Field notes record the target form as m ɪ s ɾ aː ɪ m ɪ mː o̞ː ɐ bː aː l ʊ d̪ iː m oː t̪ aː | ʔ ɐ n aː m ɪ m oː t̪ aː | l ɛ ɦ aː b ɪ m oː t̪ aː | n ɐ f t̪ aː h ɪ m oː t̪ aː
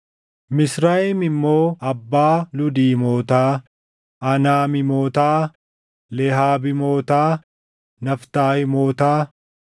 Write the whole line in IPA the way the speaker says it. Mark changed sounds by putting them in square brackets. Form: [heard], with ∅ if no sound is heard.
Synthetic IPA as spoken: m ɪ s ɾ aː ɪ m ɪ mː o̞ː ɐ bː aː l ʊ d̪ iː m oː t̪ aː | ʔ ɐ n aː m ɪ m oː t̪ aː | l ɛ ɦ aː b ɪ m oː t̪ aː | n ɐ f t̪ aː h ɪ m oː t̪ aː